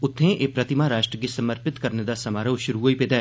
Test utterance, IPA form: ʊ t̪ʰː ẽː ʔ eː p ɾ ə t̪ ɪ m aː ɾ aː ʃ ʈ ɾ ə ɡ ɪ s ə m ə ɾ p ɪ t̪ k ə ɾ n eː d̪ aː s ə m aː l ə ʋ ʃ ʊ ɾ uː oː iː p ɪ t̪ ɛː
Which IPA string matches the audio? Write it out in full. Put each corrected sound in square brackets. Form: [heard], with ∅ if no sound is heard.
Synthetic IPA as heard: ʊ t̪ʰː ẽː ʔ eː p ɾ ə t̪ ɪ m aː ɾ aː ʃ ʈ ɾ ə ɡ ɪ s ə m ə ɾ p ɪ t̪ k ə ɾ n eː d̪ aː s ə m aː [ɾ] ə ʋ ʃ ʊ ɾ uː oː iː p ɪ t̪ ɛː